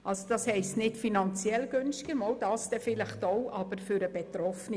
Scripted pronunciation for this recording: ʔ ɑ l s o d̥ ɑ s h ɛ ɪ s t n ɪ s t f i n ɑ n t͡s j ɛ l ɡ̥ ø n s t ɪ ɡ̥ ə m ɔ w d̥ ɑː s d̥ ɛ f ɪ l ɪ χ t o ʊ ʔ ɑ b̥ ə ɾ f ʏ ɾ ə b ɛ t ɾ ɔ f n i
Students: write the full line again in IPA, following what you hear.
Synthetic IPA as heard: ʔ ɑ l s o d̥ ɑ s h ɛ ɪ s t n ɪ t f i n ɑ n t͡s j ɛ l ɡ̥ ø n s t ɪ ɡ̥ ə m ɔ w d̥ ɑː s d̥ ɛ f ɪ l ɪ χ t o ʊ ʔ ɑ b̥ ə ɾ f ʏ ɾ ə b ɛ t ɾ ɔ f n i